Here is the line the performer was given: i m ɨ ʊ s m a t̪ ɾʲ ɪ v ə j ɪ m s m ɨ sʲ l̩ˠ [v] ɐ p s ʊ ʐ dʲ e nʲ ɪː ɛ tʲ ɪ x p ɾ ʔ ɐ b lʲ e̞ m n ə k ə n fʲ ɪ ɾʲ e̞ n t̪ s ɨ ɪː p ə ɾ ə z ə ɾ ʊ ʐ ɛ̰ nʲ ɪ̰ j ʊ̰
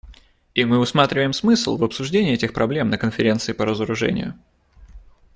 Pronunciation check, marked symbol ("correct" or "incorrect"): correct